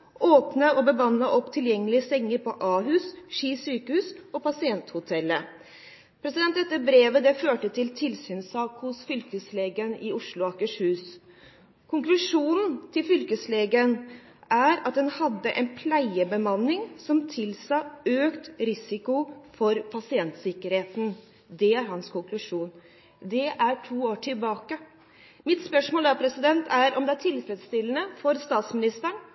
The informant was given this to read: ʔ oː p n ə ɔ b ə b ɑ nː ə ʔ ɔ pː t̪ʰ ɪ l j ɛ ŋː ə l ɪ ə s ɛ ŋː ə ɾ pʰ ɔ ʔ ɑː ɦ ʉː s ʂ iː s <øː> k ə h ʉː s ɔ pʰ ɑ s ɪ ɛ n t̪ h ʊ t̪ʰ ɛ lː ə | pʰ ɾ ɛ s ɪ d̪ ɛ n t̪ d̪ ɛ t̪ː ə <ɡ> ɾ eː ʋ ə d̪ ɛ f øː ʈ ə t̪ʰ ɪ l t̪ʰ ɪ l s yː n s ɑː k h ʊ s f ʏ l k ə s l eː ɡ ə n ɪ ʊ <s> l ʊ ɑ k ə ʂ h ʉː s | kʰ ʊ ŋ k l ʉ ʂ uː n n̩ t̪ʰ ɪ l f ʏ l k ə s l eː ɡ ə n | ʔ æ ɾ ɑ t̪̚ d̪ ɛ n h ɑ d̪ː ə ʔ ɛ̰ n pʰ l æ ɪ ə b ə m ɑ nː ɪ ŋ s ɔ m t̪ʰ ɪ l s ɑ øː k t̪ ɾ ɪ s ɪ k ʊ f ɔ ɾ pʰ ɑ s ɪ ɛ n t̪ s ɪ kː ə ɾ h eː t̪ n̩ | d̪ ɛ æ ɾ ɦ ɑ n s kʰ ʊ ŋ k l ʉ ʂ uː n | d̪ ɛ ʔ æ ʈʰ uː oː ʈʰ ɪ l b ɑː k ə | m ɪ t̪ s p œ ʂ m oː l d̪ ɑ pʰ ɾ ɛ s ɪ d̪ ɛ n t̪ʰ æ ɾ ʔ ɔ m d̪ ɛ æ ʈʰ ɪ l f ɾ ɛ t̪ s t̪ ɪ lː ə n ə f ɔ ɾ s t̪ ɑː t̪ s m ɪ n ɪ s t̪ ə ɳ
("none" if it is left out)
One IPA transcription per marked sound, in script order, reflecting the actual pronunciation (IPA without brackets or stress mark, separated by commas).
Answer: yː, b, ʂ